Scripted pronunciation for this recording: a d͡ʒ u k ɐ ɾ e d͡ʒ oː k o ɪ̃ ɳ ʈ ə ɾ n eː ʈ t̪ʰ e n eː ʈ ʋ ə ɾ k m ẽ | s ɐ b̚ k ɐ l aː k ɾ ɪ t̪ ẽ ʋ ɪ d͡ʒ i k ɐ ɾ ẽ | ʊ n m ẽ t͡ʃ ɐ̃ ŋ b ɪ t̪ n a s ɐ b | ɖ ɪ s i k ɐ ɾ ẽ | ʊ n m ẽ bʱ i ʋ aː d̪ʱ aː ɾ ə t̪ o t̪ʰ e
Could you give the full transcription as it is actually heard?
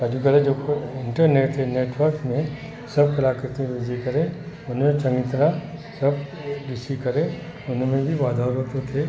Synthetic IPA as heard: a d͡ʒ u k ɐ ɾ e d͡ʒ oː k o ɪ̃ ɳ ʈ ə ɾ n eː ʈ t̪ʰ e n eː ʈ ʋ ə ɾ k m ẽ | s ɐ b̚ k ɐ l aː k ɾ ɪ t̪ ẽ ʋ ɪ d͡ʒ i k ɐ ɾ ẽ | ʊ n m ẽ t͡ʃ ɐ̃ ŋ ɡ ɪ t̪ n a s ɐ b | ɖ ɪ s i k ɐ ɾ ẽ | ʊ n m ẽ bʱ i ʋ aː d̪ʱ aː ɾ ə t̪ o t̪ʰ e